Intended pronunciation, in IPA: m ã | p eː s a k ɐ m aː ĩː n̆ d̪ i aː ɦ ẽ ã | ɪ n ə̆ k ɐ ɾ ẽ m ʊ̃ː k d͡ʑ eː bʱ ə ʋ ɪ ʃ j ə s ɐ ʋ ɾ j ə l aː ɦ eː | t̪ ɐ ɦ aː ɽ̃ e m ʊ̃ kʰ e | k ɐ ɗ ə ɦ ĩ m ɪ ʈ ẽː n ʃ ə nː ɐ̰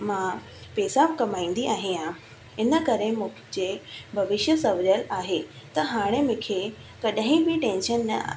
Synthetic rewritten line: m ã | p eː s a k ɐ m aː ĩː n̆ d̪ i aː ɦ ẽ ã | ɪ n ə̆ k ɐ ɾ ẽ m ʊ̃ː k d͡ʑ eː bʱ ɐ ʋ ɪ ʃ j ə s ɐ ʋ ɾ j ə l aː ɦ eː | t̪ ɐ ɦ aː ɽ̃ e m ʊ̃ kʰ e | k ɐ ɗ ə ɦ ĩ b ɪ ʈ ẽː n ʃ ə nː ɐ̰

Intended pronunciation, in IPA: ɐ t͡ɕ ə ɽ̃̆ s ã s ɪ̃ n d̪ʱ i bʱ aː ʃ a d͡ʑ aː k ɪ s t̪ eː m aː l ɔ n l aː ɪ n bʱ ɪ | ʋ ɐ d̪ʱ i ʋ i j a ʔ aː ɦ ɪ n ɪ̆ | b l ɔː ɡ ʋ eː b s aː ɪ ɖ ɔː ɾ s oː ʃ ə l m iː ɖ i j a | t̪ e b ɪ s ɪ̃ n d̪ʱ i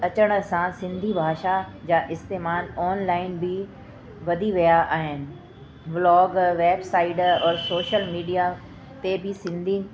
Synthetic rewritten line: ɐ t͡ɕ ə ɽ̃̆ s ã s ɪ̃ n d̪ʱ i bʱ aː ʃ a d͡ʑ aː ʔ ɪ s t̪ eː m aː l ɔː n l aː ɪ n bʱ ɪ | ʋ ɐ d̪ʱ i ʋ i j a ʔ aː ɦ ɪ n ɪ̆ | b l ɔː ɡ ʋ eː b s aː ɪ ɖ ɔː ɾ s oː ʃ ə l m iː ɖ i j a | t̪ e b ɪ s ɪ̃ n d̪ʱ i

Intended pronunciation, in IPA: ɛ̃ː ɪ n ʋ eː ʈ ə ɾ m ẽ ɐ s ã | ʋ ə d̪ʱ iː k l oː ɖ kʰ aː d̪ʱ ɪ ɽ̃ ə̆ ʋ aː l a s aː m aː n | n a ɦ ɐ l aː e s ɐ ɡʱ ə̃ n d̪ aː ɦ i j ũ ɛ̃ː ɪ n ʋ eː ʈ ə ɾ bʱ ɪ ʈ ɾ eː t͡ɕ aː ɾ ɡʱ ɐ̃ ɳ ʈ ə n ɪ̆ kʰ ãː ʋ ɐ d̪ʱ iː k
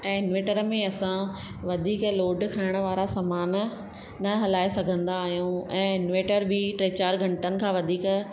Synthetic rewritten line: ɛ̃ː ɪ n ʋ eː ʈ ə ɾ m ẽ ɐ s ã | ʋ ɐ d̪ʱ iː k l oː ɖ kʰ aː ɪ ɽ̃ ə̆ ʋ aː ɾ a s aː m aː n | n ɐ ɦ ɐ l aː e s ɐ ɡʱ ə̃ n d̪ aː ɦ i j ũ ɛ̃ː ɪ n ʋ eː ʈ ə ɾ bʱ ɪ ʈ ɾ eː t͡ɕ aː ɾ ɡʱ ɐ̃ ɳ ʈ ə n ɪ̆ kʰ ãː ʋ ɐ d̪ʱ iː k

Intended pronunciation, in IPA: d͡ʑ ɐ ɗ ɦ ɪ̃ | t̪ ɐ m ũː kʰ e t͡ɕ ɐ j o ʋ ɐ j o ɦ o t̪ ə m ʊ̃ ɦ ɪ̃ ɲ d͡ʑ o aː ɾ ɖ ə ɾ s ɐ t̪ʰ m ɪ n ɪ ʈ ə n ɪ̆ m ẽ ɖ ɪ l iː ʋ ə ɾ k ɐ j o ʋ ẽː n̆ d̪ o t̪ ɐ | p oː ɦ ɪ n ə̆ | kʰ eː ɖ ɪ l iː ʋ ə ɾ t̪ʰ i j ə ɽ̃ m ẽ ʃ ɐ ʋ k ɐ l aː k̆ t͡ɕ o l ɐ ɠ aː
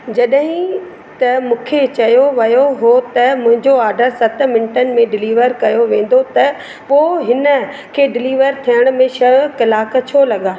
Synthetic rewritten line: d͡ʑ ɐ ɗ ɦ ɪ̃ | t̪ ɐ m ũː kʰ e t͡ɕ ɐ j o ʋ ɐ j o ɦ o t̪ ɐ m ʊ̃ ɦ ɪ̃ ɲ d͡ʑ o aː ɾ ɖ ə ɾ s ɐ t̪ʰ m ɪ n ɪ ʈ ə n ɪ̆ m ẽ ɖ ɪ l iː ʋ ə ɾ k ɐ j o ʋ ẽː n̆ d̪ o t̪ ɐ | p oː ɦ ɪ n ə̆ | kʰ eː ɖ ɪ l iː ʋ ə ɾ t̪ʰ i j ə ɽ̃ m ẽ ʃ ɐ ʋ k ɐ l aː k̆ t͡ɕʰ o l ɐ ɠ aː

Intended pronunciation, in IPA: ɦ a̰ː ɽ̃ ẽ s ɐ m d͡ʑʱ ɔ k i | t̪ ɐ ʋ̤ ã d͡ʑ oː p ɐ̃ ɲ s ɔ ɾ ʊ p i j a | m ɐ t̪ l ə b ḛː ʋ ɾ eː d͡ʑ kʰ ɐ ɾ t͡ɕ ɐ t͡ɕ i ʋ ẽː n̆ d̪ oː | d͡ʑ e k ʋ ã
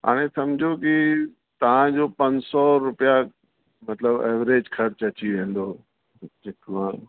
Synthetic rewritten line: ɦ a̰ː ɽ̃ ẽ s ɐ m d͡ʑʱ o k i | t̪ ɐ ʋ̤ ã d͡ʑ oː p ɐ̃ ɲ s ɔ ɾ ʊ p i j a | m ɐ t̪ l ə b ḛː ʋ ɾ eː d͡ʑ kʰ ɐ ɾ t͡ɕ ɐ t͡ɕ i ʋ ẽː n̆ d̪ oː | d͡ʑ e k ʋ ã

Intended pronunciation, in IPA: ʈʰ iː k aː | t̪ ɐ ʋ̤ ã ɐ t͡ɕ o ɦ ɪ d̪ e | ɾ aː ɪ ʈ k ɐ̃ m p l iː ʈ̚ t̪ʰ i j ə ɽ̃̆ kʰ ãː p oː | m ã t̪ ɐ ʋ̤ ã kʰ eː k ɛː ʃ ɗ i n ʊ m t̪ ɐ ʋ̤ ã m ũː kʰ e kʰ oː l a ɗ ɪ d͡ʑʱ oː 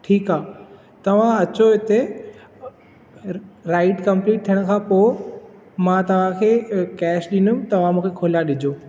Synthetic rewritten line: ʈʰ iː k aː | t̪ ɐ ʋ̤ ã ɐ t͡ɕ o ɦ ɪ t̪ e | ɾ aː ɪ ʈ k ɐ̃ m p l iː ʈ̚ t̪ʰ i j ə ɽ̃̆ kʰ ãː p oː | m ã t̪ ɐ ʋ̤ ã kʰ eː k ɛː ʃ ɗ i n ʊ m t̪ ɐ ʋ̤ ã m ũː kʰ e kʰ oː l a ɗ ɪ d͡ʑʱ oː

